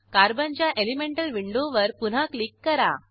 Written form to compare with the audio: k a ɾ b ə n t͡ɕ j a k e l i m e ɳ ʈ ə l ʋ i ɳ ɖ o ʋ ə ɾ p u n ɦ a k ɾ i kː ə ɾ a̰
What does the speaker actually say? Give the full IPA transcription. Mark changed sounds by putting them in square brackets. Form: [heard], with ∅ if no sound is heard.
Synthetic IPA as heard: k a ɾ b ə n t͡ɕ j a [ʔ] e l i m e ɳ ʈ ə l ʋ i ɳ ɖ o ʋ ə ɾ p u n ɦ a k [l] i kː ə ɾ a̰